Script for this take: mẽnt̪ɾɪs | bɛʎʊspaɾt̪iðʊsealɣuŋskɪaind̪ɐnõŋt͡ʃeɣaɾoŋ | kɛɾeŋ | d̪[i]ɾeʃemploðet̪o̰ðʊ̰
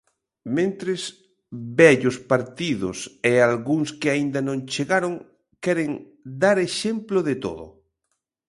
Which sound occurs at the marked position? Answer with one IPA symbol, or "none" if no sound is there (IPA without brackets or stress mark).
a